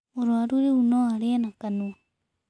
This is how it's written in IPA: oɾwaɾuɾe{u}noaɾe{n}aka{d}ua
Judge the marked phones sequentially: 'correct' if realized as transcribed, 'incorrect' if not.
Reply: correct, correct, incorrect: n

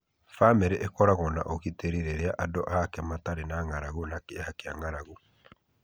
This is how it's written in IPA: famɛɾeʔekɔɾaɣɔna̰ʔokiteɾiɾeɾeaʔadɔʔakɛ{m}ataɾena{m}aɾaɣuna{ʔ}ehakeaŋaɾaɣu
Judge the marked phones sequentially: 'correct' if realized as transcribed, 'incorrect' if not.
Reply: correct, incorrect: ŋ, incorrect: k

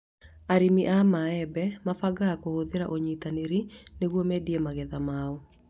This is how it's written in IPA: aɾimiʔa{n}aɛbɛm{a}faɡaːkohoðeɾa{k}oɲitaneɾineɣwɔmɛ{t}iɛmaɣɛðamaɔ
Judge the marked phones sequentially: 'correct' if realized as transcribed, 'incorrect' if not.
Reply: incorrect: m, correct, incorrect: ʔ, incorrect: d

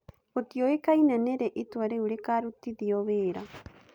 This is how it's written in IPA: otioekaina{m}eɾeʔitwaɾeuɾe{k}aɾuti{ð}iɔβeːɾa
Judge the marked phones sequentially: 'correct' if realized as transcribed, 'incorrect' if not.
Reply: incorrect: n, correct, correct

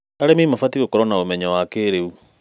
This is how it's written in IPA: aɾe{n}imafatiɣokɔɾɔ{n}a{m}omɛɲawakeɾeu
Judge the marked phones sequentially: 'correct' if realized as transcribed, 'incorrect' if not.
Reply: incorrect: m, correct, incorrect: none

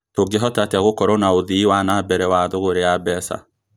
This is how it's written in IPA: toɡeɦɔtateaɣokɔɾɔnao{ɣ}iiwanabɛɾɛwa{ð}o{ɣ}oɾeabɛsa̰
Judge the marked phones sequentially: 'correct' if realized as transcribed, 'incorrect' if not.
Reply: incorrect: ð, correct, correct

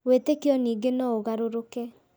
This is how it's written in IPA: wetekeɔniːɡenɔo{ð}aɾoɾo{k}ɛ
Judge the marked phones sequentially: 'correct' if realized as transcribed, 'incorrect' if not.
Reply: incorrect: ɣ, correct

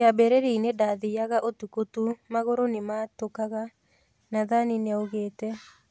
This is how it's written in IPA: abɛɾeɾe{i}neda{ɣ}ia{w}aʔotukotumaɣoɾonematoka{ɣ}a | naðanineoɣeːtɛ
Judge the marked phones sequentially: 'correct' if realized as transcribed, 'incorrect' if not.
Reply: correct, incorrect: ð, incorrect: ɣ, correct

